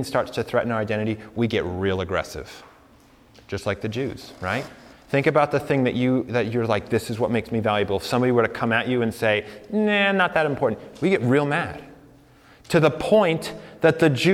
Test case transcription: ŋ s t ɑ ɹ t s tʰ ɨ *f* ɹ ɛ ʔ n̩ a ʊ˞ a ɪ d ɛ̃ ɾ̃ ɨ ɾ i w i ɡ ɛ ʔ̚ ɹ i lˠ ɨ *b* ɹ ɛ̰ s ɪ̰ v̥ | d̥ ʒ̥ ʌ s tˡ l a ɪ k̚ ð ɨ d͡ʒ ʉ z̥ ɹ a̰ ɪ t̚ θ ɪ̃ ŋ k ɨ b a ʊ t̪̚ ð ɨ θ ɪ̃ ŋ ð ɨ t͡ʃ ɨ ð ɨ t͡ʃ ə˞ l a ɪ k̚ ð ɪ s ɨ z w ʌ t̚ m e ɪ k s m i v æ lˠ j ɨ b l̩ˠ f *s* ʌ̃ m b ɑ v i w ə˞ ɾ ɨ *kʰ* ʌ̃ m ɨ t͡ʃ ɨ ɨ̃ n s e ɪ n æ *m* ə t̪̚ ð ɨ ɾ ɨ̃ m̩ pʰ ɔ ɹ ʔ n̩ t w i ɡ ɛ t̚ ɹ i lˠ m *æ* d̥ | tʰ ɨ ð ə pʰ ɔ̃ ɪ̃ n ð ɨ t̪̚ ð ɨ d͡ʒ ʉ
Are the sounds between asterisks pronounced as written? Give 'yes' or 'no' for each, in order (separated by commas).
no, no, yes, yes, no, yes